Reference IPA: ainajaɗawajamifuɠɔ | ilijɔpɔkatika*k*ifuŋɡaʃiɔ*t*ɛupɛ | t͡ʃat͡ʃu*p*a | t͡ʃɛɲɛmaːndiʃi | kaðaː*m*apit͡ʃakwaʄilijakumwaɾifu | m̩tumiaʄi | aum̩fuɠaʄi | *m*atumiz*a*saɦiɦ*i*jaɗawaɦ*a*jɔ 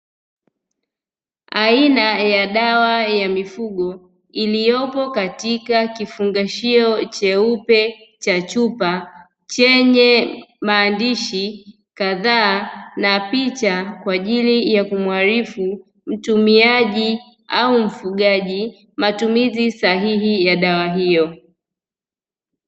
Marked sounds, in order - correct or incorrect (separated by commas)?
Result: correct, incorrect, correct, incorrect, correct, incorrect, correct, incorrect